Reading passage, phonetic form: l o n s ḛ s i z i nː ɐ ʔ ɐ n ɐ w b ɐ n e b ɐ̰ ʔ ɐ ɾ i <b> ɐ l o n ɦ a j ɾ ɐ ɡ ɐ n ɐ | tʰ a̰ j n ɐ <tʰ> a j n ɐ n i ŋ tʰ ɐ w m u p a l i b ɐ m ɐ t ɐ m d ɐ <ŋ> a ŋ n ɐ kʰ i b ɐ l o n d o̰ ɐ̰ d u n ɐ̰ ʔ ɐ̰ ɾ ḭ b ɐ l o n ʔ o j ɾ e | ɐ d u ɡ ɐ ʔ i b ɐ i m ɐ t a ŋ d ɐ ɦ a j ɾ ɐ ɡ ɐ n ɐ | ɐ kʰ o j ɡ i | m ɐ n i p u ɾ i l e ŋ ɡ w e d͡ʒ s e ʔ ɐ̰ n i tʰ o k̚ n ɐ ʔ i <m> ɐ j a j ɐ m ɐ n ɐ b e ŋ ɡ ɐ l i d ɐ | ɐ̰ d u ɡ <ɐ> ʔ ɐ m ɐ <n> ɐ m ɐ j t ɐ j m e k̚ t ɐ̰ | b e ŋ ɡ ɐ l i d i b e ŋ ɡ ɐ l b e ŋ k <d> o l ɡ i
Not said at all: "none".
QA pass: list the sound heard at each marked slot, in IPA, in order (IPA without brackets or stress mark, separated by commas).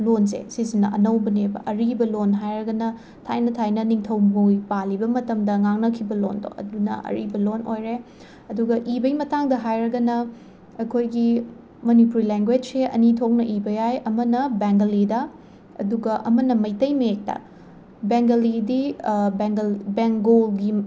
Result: b, tʰ, ŋ, b, ɐ, n, ɡ